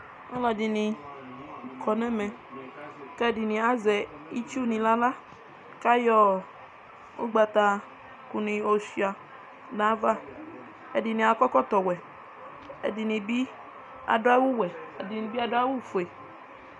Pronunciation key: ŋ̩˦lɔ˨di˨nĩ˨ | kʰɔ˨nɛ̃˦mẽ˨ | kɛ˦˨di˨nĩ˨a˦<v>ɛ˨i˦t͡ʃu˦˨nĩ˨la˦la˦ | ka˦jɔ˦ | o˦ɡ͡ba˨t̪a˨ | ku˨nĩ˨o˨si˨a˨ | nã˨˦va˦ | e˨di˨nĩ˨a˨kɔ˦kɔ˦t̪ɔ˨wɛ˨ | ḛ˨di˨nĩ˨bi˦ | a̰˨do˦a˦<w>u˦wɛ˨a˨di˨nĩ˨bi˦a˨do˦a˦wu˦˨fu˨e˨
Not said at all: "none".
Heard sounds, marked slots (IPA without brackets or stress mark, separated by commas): z, w